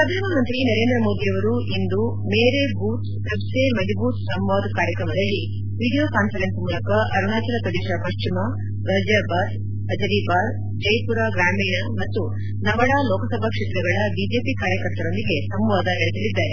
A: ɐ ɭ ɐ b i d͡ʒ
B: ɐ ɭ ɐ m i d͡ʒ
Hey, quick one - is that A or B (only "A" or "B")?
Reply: A